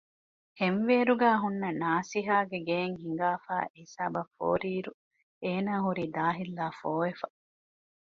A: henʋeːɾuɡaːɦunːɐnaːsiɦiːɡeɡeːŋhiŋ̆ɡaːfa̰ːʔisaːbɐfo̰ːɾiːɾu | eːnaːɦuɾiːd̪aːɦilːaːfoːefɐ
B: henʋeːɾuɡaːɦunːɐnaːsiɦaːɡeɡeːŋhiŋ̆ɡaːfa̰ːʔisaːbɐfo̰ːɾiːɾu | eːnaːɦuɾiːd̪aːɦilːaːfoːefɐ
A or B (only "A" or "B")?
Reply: B